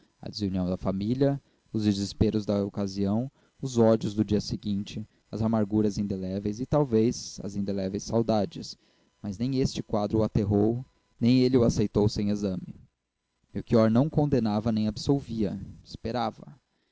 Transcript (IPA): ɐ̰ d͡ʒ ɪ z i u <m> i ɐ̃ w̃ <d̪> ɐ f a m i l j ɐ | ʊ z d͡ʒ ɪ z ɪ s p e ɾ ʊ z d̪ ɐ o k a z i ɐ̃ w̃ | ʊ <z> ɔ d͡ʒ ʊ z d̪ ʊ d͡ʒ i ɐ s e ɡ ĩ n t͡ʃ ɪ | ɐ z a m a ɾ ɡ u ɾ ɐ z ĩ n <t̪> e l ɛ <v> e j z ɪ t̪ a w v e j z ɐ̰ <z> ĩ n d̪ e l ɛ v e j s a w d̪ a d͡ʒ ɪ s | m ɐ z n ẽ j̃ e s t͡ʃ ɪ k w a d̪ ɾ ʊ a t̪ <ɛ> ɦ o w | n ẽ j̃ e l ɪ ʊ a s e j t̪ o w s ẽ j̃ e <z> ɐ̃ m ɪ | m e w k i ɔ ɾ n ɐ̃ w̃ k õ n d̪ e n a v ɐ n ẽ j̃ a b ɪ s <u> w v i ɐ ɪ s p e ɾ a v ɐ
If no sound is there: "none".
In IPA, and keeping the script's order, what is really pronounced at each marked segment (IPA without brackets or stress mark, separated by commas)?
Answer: n, d̪, z, d̪, v, z, e, z, o